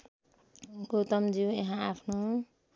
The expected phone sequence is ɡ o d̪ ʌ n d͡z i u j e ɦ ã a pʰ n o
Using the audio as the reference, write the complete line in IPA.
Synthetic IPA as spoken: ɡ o t̪ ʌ m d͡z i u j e ɦ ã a pʰ n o

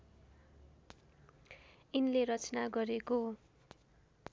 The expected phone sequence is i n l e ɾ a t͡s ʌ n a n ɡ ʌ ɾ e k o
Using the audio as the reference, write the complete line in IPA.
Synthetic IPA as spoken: i n l e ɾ ʌ t͡s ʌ n a ɡ ʌ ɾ e k o

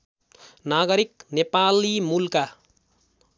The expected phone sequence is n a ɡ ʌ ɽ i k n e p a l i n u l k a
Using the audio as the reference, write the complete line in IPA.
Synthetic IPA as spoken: n a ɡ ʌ ɾ i k n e p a l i m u l k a

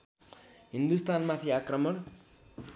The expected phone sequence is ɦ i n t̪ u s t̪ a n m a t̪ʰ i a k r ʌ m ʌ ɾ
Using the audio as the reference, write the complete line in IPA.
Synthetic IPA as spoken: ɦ i n d̪ u s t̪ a n m a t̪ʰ i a k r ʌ m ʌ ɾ

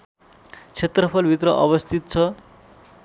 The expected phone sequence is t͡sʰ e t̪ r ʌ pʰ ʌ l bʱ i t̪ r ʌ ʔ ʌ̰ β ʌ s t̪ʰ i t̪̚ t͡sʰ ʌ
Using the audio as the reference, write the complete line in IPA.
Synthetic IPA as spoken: t͡sʰ e t̪ r ʌ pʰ ʌ l bʱ i t̪ r ʌ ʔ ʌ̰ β ʌ s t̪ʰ i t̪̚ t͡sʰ ʌ

